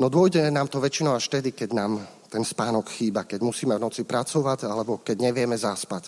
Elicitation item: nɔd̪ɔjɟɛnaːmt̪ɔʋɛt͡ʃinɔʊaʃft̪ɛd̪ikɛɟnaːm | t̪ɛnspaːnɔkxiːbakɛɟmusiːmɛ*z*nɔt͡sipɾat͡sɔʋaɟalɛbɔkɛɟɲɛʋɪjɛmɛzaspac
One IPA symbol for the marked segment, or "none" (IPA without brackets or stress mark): v